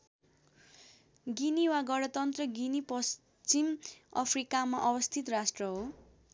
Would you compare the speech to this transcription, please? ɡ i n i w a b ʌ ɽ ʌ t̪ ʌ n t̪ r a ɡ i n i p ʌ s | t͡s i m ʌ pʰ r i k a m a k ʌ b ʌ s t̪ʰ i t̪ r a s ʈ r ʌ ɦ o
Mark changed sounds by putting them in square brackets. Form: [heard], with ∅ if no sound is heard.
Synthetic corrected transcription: ɡ i n i w a [ɡ] ʌ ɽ ʌ t̪ ʌ n t̪ r [ʌ] ɡ i n i p ʌ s | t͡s i m ʌ pʰ r i k a m a [ʔ] ʌ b ʌ s t̪ʰ i t̪ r a s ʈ r ʌ ɦ o